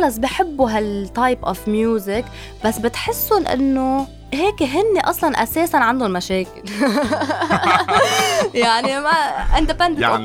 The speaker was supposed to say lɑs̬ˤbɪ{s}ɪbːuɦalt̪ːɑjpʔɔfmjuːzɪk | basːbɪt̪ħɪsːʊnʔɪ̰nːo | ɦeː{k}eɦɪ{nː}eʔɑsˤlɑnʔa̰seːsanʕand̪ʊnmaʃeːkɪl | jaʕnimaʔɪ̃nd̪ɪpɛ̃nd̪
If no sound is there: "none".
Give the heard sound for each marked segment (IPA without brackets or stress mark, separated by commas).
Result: ħ, k, nː